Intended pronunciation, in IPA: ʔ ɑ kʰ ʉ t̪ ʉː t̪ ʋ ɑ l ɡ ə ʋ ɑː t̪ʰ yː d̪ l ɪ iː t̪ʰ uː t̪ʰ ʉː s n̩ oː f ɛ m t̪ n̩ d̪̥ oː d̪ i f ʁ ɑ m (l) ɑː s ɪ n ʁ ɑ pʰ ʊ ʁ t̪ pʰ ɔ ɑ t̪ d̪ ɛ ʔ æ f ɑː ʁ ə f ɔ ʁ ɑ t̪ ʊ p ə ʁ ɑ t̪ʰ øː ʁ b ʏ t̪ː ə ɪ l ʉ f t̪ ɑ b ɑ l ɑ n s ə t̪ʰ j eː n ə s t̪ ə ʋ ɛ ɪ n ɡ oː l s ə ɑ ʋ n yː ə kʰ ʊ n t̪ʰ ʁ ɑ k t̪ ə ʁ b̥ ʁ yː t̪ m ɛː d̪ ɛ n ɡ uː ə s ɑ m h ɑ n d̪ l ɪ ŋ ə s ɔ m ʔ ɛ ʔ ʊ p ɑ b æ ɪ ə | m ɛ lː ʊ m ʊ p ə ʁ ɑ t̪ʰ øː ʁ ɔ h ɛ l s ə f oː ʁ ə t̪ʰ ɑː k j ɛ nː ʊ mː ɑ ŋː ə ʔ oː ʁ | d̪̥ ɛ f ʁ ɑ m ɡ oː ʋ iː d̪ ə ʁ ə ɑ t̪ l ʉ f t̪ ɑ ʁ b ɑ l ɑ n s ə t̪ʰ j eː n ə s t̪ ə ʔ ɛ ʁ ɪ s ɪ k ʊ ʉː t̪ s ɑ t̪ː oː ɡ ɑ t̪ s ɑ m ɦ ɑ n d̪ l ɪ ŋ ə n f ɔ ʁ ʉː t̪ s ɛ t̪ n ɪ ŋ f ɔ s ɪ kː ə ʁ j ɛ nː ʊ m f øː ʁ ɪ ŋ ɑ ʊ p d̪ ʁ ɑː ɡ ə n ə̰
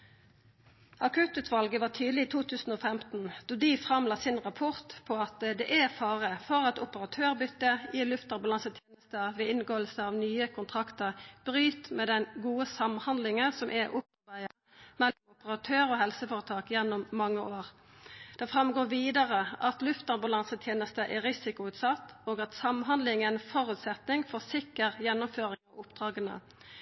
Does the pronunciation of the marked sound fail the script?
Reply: no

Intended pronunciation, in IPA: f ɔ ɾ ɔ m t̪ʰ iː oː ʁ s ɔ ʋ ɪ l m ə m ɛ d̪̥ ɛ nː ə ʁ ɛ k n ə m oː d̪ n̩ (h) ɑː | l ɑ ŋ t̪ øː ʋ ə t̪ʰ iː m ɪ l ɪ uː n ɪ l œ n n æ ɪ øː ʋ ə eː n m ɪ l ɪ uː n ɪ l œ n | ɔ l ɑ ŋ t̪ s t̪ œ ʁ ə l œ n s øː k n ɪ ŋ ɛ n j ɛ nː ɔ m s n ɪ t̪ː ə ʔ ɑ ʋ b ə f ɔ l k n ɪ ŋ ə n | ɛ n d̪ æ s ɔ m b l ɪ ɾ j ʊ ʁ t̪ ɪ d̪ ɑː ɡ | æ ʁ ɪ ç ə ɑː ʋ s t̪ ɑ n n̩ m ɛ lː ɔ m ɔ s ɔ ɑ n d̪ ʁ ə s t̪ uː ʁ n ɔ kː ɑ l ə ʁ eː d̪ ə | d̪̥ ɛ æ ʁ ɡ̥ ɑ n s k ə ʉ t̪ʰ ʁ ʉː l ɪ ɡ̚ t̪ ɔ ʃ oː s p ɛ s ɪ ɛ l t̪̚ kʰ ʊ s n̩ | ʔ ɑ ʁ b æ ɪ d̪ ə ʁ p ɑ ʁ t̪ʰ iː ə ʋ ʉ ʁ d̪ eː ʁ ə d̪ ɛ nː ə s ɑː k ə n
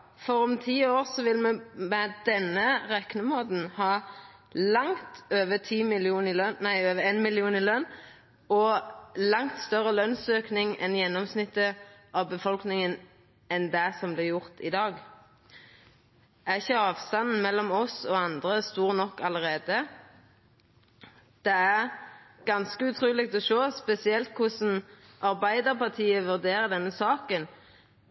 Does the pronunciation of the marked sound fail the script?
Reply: no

